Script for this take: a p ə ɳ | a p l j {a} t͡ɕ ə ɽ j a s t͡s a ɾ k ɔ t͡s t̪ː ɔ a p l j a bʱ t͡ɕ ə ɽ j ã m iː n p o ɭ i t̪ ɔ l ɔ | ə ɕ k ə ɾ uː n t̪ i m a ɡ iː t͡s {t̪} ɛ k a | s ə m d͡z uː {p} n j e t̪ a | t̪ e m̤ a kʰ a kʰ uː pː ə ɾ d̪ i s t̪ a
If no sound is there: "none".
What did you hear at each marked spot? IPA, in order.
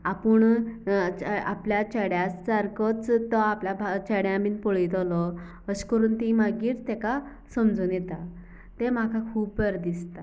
a, t̪, none

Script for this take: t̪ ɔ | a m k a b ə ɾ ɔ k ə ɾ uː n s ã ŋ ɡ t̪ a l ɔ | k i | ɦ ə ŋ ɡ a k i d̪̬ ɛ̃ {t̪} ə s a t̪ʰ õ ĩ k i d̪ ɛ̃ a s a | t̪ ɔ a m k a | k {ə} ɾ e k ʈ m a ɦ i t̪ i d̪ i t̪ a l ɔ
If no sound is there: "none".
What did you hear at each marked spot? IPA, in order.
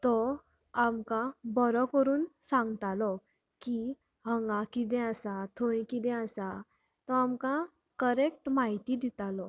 none, ə

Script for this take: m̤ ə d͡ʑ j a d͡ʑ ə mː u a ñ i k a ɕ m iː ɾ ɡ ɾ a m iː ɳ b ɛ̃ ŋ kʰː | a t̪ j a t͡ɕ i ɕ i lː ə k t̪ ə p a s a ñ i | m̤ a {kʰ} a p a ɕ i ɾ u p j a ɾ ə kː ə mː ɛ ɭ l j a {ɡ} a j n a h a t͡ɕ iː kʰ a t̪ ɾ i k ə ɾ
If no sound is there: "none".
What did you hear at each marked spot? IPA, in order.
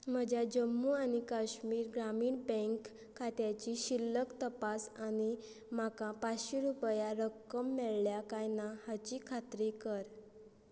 k, k

